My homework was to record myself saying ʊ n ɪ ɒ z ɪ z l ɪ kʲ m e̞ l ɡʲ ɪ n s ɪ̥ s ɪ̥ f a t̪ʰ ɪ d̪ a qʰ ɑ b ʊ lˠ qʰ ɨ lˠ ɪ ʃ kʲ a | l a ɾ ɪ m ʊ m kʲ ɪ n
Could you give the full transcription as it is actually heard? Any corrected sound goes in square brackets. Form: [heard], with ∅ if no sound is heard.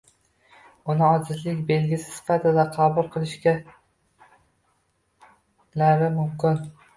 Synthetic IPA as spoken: ʊ n ɪ ɒ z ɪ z l ɪ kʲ [b] e̞ l ɡʲ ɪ [∅] s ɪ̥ s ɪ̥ f a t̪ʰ ɪ d̪ a qʰ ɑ b ʊ lˠ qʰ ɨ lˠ ɪ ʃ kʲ a | l a ɾ ɪ m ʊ m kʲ ɪ n

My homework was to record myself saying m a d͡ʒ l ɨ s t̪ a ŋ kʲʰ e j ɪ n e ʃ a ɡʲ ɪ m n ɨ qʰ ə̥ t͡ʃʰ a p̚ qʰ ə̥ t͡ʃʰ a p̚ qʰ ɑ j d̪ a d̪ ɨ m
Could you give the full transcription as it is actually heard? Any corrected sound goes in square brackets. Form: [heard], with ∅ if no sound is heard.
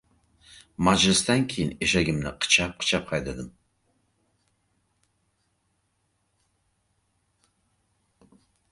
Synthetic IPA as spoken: m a d͡ʒ l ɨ s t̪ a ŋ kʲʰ e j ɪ n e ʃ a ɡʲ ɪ m n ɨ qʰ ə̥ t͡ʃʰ a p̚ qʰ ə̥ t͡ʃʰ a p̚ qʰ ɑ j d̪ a d̪ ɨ m

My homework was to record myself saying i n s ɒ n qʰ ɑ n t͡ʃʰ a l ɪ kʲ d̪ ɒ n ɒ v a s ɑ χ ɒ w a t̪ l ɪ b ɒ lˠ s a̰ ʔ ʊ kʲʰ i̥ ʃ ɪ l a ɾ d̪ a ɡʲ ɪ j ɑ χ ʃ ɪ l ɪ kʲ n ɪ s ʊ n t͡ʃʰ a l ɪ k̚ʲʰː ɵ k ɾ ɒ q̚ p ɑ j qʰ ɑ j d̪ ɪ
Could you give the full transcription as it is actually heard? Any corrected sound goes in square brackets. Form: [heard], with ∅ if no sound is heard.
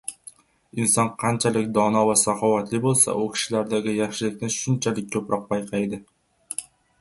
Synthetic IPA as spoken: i n s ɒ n qʰ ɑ n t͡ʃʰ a l ɪ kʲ d̪ ɒ n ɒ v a s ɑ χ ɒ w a t̪ l ɪ b [o] lˠ s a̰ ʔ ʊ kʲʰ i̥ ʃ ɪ l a ɾ d̪ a ɡʲ ɪ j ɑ χ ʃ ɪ l ɪ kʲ n ɪ [ʃ] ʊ n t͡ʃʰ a l ɪ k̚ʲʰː ɵ [p] ɾ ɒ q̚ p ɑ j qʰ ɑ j d̪ ɪ

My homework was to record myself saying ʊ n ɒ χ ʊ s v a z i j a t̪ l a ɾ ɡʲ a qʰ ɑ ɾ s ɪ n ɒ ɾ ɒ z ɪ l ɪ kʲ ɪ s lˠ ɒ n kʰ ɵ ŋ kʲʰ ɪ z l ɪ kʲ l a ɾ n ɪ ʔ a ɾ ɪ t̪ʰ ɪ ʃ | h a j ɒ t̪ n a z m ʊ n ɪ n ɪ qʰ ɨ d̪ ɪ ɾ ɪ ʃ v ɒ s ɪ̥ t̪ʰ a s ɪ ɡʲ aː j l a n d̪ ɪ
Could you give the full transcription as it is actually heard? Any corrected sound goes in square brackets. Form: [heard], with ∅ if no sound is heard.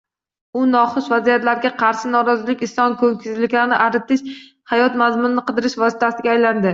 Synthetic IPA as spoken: ʊ n ɒ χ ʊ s v a z i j a t̪ l a ɾ ɡʲ a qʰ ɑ ɾ [ʃ] ɪ n ɒ ɾ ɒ z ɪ l ɪ kʲ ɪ s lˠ ɒ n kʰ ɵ ŋ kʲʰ ɪ z l ɪ kʲ l a ɾ n ɪ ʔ a ɾ ɪ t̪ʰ ɪ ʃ | h a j ɒ t̪ [m] a z m ʊ n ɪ n ɪ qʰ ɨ d̪ ɪ ɾ ɪ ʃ v ɒ s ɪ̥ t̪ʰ a s ɪ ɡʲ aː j l a n d̪ ɪ

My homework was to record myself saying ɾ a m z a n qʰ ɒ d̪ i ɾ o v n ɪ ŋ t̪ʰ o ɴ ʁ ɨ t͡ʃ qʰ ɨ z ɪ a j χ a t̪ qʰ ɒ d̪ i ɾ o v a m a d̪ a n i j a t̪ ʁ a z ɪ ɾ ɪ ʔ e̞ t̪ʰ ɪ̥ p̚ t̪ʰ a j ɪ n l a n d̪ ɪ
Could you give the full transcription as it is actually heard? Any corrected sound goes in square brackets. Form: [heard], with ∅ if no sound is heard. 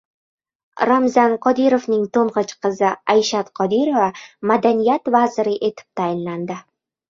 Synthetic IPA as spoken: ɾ a m z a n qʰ ɒ d̪ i ɾ o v n ɪ ŋ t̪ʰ o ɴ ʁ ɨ t͡ʃ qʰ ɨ z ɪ a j [ʃ] a t̪ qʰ ɒ d̪ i ɾ o v a m a d̪ a n i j a t̪ [v] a z ɪ ɾ ɪ ʔ e̞ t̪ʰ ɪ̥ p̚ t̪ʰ a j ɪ n l a n d̪ ɪ

